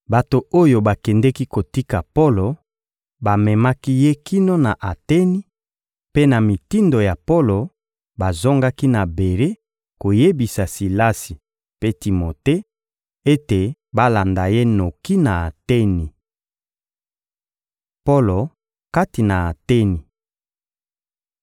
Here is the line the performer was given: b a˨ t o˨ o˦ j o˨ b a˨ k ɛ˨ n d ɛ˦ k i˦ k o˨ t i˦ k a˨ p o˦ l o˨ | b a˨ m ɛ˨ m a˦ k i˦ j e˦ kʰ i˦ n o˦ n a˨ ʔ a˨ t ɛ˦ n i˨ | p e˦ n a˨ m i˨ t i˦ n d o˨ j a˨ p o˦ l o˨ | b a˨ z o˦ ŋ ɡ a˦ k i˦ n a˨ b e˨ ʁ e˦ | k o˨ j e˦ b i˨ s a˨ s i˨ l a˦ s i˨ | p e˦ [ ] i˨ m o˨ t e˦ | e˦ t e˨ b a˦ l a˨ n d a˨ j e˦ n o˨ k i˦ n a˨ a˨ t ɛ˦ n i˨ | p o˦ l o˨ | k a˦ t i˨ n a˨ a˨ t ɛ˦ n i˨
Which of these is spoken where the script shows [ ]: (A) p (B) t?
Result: B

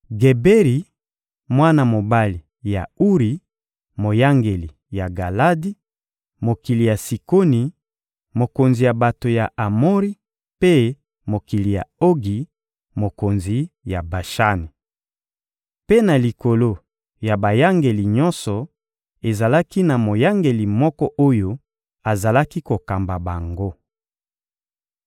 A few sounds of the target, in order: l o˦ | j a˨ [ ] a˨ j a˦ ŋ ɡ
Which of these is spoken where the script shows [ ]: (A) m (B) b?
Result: B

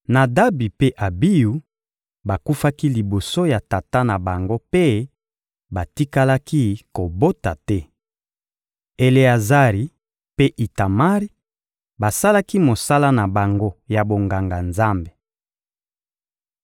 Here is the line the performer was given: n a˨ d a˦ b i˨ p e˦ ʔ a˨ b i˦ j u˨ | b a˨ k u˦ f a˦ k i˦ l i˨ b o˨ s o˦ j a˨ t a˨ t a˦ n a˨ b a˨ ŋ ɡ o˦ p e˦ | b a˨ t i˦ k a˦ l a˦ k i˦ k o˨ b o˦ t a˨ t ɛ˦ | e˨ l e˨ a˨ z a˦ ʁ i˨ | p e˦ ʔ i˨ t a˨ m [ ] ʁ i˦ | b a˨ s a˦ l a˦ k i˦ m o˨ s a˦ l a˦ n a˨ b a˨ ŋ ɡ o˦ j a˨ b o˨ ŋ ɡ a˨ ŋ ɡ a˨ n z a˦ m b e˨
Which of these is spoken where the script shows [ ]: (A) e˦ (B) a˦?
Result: B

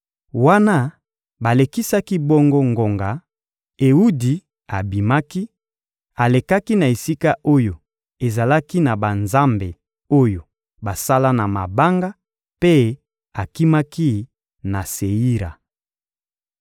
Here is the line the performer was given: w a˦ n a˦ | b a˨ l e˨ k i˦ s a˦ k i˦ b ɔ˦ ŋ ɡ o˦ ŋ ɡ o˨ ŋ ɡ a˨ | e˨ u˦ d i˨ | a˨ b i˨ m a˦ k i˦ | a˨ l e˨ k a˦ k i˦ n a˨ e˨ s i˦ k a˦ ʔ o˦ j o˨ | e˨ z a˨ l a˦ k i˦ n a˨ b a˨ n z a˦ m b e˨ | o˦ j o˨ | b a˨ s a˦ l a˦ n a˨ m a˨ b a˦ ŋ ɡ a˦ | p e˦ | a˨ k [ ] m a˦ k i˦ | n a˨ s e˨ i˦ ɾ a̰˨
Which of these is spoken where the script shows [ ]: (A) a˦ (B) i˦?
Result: B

